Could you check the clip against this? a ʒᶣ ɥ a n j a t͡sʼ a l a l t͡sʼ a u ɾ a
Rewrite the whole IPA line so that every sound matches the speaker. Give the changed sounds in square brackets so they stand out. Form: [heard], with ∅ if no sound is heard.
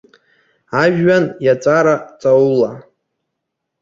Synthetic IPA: a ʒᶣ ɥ a n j a t͡sʼ a [ɾ] a [∅] t͡sʼ a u [l] a